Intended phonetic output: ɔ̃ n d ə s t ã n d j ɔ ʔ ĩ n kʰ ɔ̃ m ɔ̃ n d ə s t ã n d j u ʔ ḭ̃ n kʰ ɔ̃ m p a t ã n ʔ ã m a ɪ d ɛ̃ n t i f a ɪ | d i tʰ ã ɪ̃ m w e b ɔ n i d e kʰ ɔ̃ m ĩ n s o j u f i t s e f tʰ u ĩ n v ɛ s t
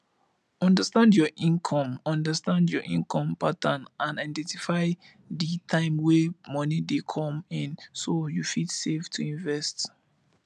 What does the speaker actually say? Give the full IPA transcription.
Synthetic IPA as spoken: ɔ̃ n d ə s t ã n d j ɔ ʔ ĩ n kʰ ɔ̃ m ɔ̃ n d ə s t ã n d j ɔ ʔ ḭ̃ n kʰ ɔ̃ m p a t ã n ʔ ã n a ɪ d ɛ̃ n t i f a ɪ | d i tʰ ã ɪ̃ m w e m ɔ n i d e kʰ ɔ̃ m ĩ n s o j u f i t s e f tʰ u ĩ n v ɛ s t